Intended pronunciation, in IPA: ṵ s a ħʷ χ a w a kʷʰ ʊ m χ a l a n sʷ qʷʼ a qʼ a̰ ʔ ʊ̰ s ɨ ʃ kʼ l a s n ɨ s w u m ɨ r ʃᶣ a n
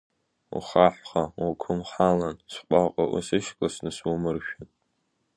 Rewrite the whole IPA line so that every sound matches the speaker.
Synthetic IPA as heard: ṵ χ a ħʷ χ a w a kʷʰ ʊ m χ a l a n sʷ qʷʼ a qʼ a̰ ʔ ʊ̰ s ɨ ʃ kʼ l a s n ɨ s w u m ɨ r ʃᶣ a n